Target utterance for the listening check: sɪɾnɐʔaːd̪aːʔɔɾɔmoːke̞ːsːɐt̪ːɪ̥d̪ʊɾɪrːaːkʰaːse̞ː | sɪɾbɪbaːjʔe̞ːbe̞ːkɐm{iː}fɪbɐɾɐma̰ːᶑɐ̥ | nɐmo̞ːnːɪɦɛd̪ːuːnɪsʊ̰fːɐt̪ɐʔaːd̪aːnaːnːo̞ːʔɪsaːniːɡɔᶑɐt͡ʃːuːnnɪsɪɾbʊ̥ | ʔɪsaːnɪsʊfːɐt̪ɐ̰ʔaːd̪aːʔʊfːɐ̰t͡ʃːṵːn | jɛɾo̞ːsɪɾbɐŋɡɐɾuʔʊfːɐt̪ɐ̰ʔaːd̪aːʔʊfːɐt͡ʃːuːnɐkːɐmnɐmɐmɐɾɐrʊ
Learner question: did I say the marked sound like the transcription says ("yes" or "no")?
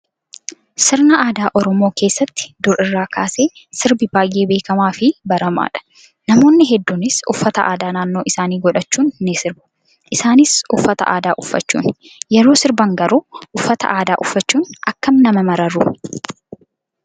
no